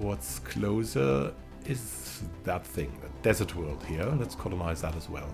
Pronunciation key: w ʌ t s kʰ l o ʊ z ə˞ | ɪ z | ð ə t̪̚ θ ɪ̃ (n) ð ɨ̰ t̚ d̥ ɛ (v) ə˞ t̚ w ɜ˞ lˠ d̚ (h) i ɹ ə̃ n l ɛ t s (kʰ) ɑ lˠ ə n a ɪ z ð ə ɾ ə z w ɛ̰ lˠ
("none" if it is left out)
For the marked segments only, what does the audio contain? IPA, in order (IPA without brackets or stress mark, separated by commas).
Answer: ŋ, z, h, kʰ